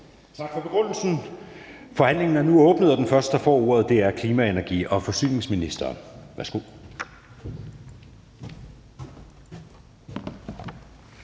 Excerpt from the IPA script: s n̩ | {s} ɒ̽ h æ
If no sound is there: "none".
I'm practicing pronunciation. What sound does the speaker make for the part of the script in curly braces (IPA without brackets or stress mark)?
f